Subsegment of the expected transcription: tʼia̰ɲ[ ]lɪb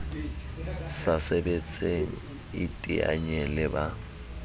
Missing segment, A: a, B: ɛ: B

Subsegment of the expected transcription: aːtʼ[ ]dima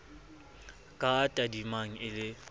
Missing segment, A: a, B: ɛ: A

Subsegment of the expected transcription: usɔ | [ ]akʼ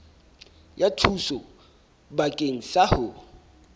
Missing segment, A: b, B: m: A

